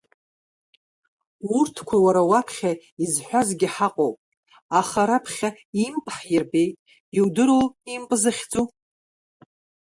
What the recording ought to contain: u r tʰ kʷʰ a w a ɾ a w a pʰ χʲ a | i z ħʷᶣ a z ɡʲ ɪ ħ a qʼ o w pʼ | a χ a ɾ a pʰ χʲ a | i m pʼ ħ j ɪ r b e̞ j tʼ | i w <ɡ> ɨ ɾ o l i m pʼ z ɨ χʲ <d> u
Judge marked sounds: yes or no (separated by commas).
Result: no, no